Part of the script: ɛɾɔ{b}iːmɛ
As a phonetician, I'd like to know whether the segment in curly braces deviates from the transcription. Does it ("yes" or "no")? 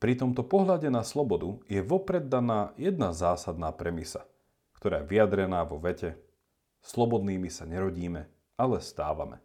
yes